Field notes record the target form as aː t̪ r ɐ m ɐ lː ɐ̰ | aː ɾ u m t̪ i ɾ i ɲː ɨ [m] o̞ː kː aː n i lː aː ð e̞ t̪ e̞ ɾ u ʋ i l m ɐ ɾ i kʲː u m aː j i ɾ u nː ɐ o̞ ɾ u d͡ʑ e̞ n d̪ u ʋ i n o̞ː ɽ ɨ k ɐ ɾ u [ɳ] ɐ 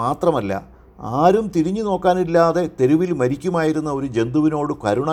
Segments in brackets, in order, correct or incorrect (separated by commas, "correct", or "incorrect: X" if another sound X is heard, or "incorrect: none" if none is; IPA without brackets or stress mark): incorrect: n, correct